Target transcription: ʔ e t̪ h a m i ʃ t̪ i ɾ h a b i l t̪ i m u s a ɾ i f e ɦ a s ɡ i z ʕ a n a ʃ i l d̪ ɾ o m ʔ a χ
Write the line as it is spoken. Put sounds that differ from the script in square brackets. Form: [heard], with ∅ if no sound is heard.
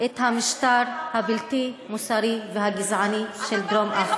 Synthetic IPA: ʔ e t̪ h a m i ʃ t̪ [a] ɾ h a b i l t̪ i m u s a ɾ i [v] e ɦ a [∅] ɡ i z ʕ a n [i] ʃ [e] l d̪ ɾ o m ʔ a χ